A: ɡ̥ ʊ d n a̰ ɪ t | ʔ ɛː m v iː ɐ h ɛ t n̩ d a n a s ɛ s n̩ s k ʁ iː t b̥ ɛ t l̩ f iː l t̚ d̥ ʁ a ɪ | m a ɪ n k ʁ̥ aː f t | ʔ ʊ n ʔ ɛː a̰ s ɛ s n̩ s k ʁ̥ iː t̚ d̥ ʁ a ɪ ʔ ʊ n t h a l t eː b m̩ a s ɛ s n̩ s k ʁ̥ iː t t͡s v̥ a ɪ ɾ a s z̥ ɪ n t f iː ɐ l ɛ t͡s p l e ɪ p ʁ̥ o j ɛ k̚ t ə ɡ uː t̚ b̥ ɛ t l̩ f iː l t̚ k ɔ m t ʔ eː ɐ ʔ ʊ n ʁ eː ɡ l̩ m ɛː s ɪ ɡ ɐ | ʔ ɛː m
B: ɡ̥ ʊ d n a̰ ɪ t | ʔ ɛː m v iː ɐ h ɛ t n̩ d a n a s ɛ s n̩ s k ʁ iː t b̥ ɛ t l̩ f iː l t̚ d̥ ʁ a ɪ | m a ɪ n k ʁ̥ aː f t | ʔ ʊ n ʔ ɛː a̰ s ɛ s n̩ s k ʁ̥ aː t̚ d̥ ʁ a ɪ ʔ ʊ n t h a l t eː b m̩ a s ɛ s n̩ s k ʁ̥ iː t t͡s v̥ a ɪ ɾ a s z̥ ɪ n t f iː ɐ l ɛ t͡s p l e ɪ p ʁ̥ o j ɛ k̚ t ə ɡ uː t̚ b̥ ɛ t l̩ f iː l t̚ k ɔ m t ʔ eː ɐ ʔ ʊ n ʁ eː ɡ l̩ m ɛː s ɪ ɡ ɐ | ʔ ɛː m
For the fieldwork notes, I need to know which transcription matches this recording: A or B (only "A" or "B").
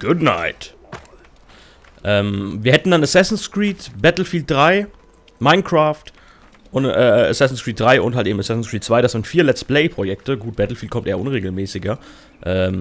A